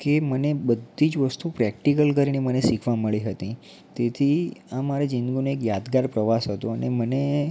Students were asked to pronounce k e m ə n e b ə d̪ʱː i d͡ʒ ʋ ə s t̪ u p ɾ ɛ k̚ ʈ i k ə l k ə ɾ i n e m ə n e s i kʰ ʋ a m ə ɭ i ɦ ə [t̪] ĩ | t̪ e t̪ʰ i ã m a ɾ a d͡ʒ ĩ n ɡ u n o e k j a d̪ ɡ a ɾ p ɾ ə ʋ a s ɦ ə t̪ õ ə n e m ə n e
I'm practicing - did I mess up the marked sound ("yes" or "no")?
no